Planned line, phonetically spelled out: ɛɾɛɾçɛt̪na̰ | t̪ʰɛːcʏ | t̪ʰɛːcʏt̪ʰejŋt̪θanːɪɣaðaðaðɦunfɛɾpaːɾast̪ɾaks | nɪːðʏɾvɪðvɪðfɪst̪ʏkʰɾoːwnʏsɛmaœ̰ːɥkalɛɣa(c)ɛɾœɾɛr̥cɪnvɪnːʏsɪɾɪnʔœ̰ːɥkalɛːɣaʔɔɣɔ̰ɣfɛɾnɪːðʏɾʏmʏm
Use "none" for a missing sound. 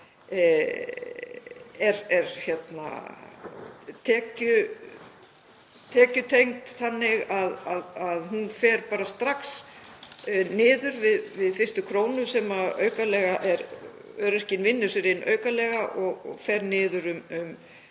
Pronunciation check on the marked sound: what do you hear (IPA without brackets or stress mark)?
ʔ